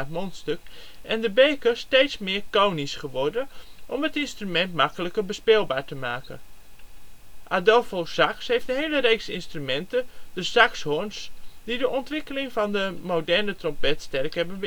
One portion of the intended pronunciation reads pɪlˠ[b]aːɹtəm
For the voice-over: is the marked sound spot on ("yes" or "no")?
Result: yes